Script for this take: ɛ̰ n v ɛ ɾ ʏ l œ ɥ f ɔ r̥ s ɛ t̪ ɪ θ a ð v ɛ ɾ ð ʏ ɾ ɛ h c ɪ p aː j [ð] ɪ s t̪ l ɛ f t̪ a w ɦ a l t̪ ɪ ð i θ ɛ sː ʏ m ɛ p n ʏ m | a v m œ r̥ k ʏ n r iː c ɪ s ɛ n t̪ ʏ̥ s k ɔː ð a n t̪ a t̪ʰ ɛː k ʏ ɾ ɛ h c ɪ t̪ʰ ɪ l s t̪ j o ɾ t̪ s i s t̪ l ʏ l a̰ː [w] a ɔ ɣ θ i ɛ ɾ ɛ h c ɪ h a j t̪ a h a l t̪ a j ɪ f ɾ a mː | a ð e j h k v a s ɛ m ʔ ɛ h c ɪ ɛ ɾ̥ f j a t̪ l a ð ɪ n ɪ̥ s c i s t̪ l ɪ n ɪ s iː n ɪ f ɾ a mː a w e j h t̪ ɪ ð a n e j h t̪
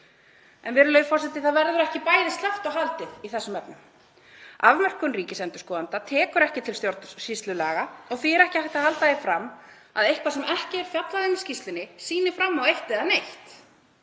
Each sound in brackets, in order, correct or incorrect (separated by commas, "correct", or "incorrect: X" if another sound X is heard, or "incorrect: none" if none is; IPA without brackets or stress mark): correct, incorrect: ɣ